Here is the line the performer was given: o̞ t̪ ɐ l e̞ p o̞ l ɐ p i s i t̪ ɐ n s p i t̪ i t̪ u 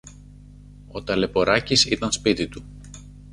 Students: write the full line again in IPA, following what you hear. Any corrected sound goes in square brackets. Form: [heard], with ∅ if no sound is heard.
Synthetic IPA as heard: o̞ t̪ ɐ l e̞ p o̞ [ɾ] ɐ [c] i s i t̪ ɐ n s p i t̪ i t̪ u